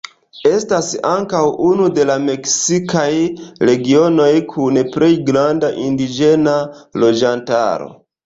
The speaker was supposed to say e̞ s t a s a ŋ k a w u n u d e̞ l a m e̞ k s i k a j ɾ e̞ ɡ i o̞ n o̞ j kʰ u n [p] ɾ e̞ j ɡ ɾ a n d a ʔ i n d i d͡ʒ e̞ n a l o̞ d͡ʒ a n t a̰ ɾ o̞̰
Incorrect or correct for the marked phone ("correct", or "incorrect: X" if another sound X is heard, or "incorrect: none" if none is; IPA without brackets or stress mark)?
correct